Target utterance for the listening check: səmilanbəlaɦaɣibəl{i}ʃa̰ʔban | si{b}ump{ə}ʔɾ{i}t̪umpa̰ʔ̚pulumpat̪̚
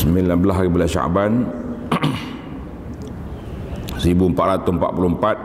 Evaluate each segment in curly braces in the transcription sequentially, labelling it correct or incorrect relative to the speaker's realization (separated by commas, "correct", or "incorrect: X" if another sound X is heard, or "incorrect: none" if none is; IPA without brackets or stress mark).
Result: incorrect: a, correct, incorrect: a, incorrect: a